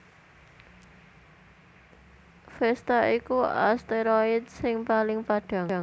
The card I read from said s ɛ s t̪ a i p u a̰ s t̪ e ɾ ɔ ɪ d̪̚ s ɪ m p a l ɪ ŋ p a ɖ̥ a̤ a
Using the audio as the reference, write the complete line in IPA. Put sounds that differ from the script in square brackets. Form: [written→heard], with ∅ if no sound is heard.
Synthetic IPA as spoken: [s→f] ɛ s t̪ a i [p→k] u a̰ s t̪ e ɾ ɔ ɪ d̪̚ s ɪ [m→ŋ] p a l ɪ ŋ p a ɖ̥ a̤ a